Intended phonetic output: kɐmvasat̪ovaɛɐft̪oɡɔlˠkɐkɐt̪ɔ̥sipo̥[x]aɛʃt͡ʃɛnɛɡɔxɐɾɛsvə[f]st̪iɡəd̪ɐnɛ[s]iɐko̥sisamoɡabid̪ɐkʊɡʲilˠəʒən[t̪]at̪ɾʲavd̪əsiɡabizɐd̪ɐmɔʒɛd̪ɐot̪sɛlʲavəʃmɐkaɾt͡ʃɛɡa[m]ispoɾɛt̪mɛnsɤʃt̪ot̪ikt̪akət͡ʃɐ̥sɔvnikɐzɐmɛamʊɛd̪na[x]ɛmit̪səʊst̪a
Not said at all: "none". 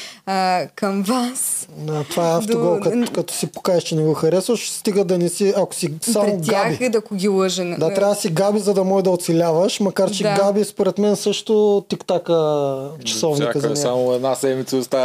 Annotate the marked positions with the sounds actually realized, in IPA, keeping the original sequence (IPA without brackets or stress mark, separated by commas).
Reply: k, ʃ, s, d̪, b, s